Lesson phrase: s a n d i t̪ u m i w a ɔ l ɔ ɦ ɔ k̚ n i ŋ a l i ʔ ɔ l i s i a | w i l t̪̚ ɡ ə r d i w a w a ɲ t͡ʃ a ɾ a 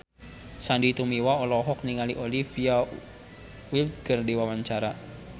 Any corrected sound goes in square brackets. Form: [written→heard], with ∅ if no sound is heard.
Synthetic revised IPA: s a n d i t̪ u m i w a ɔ l ɔ ɦ ɔ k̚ n i ŋ a l i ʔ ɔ l i [s→f] i a | w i l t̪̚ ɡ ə r d i w a w a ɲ t͡ʃ a ɾ a